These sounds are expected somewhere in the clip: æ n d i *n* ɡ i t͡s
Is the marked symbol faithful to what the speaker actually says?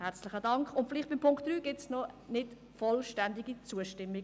no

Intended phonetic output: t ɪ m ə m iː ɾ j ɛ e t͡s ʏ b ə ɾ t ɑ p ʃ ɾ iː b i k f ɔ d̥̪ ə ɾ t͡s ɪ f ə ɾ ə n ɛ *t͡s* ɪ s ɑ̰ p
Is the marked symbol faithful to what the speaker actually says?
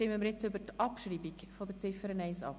no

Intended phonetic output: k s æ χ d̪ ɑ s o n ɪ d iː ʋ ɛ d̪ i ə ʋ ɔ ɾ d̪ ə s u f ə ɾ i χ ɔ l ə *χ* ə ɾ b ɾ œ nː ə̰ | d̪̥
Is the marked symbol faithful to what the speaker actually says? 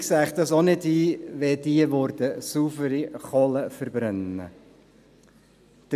no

